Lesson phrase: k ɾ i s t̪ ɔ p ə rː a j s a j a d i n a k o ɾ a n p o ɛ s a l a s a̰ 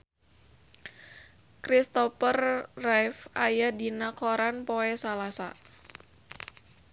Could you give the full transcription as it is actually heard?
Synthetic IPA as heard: k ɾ i s t̪ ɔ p ə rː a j f a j a d i n a k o ɾ a n p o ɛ s a l a s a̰